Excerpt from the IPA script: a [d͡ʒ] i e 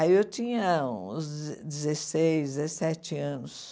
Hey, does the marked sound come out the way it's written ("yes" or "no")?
no